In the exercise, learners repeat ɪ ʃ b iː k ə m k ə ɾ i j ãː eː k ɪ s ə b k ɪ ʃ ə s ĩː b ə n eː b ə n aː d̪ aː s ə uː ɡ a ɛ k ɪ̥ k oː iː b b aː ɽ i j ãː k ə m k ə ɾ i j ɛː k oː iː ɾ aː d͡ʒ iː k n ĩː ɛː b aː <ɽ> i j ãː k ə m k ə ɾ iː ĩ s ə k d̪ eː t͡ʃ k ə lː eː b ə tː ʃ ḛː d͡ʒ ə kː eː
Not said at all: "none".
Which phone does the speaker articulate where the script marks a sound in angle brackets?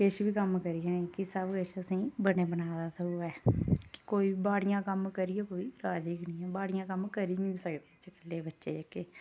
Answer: ɽ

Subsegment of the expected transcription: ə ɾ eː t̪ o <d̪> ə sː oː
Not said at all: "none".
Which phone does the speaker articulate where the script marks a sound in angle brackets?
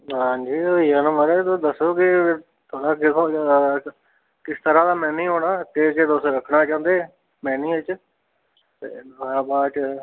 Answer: d̪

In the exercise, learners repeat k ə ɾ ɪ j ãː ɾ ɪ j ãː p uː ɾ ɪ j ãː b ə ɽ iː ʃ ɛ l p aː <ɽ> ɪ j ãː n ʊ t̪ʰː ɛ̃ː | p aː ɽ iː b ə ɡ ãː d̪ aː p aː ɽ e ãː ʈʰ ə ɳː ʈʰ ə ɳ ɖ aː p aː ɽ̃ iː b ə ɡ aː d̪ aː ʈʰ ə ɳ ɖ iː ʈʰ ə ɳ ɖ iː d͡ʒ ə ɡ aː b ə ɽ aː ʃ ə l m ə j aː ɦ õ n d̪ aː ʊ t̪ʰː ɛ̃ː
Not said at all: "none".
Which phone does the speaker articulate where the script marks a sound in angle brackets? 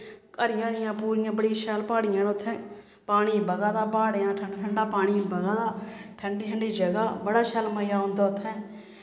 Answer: ɽ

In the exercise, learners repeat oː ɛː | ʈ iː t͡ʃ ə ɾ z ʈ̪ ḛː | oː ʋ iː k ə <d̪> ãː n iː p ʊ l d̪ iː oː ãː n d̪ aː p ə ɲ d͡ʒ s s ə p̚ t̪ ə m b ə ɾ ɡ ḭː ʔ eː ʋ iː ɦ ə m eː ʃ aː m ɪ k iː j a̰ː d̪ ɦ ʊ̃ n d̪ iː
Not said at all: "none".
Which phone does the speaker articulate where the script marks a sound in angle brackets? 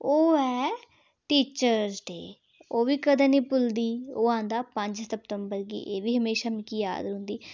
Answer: d̪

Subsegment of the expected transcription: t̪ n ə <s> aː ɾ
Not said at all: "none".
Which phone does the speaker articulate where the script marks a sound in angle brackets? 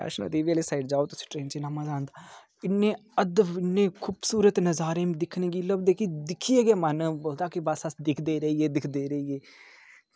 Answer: z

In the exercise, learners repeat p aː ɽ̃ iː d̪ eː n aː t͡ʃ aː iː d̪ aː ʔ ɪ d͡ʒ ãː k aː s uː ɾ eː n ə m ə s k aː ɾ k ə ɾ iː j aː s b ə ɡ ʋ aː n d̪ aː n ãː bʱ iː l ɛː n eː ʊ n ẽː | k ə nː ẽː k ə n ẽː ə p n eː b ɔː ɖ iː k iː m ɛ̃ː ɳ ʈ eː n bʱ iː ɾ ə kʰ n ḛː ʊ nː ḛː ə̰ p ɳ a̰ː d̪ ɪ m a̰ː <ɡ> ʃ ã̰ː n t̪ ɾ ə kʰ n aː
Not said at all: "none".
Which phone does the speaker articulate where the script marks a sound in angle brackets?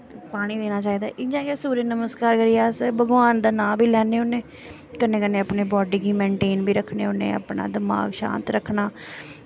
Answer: ɡ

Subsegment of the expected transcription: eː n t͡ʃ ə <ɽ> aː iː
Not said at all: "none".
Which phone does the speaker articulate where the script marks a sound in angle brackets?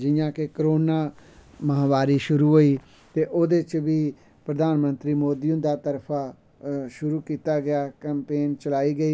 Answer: l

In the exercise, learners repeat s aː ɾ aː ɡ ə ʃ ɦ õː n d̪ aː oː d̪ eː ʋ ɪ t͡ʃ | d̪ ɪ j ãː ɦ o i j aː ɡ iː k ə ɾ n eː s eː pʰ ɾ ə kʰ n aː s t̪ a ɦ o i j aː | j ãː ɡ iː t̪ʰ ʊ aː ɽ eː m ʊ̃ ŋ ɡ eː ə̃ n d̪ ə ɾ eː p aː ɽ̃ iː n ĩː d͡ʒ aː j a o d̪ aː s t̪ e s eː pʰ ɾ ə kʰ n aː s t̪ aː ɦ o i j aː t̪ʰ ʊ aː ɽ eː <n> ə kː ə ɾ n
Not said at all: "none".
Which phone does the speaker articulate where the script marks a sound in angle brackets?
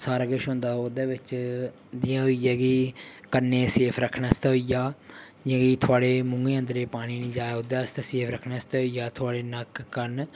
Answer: n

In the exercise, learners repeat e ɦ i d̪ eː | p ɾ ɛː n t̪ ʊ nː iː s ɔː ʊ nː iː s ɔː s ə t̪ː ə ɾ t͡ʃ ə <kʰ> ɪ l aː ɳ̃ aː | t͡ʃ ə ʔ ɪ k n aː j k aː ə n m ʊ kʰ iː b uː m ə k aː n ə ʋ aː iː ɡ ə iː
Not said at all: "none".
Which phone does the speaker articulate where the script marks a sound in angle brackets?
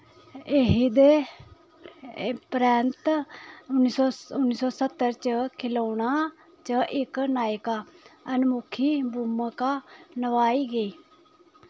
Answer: kʰ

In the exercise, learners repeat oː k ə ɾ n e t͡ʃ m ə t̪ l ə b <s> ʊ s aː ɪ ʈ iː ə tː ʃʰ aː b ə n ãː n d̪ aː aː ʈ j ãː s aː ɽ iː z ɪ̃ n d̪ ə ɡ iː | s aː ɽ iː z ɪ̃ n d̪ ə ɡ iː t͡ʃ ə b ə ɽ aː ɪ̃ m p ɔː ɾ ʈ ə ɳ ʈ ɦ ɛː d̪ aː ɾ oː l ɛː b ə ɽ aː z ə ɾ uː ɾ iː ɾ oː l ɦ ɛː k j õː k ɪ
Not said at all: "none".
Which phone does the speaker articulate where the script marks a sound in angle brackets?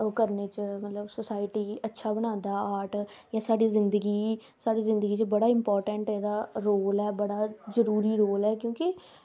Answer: s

